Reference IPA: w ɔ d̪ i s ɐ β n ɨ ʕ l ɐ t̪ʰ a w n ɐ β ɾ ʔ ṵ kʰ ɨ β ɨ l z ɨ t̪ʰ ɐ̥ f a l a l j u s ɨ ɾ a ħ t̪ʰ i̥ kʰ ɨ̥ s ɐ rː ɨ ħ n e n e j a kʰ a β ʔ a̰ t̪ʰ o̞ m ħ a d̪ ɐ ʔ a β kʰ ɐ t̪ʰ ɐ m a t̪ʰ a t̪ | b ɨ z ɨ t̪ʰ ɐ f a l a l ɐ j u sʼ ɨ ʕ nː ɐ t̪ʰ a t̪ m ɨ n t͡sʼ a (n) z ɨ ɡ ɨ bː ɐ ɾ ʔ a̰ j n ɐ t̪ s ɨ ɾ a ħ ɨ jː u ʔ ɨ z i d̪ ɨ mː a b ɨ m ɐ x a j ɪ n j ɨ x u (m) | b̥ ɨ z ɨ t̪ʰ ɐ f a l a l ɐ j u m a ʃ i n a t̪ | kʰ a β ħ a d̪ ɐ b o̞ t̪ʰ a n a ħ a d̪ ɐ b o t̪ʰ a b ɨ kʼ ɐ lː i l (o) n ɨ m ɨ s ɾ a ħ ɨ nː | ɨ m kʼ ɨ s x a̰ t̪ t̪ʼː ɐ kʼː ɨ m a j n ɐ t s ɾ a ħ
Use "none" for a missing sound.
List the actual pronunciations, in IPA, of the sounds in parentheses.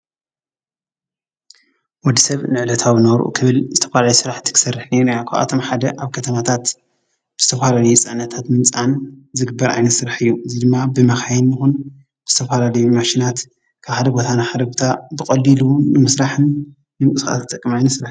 n, n, u

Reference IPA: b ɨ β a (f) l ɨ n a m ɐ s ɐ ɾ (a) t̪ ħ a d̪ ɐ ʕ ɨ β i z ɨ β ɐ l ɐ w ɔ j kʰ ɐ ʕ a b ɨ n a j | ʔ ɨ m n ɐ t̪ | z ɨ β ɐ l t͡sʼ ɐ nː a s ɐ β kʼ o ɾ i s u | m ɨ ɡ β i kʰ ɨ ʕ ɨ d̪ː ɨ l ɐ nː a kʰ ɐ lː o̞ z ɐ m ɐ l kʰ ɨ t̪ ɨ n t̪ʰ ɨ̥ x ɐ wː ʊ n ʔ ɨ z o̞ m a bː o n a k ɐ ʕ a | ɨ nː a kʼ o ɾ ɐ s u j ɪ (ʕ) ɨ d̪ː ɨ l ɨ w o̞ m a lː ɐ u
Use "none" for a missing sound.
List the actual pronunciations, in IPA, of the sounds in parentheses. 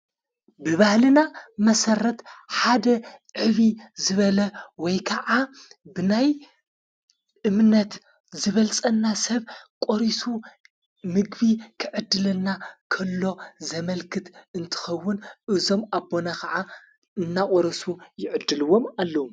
h, ɐ, ʕ

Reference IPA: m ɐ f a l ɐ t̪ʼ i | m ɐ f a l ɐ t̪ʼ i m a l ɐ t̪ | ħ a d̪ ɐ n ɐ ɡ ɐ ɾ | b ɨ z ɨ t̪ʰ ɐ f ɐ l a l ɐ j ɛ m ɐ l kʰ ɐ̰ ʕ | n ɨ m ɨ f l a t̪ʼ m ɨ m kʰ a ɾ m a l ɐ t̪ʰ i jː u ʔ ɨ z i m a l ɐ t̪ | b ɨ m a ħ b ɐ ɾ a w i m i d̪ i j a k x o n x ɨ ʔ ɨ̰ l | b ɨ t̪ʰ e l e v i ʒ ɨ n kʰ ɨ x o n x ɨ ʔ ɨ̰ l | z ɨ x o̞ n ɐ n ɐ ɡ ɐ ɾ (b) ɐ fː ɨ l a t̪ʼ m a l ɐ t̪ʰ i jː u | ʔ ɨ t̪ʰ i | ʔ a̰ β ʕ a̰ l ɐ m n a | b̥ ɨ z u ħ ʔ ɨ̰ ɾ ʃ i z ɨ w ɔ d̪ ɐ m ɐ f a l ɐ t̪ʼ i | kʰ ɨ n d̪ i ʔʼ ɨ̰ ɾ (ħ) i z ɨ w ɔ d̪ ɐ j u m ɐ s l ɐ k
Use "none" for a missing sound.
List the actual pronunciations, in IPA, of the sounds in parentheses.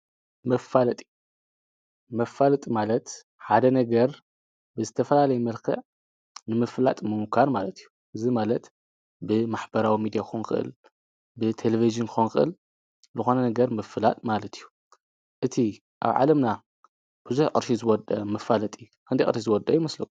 m, ʃ

